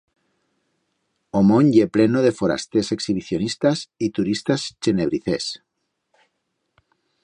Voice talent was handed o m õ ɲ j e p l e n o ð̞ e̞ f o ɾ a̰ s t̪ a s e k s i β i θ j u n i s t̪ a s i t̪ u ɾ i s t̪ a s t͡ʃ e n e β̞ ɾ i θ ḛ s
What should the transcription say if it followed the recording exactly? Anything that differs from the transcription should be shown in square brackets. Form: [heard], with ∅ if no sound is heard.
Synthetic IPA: o m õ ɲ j e p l e n o ð̞ e̞ f o ɾ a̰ s t̪ [e] s e k s i β i θ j [o] n i s t̪ a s i t̪ u ɾ i s t̪ a s t͡ʃ e n e β̞ ɾ i θ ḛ s